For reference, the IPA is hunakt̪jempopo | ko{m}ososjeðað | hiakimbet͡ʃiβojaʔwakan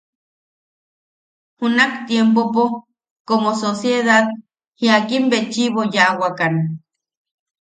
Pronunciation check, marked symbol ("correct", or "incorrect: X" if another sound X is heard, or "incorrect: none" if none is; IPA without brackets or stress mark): correct